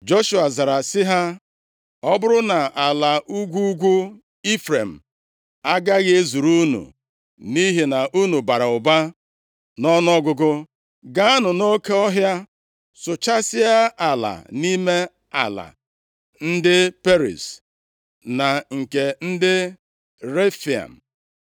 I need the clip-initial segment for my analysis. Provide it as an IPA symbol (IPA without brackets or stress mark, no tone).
d͡ʒ